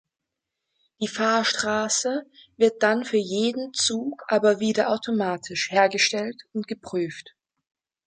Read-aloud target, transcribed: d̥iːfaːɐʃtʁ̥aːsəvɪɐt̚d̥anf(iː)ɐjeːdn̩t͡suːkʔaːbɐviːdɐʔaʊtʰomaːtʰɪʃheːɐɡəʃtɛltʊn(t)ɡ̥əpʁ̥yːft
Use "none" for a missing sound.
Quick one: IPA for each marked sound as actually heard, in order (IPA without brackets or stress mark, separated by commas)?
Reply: yː, t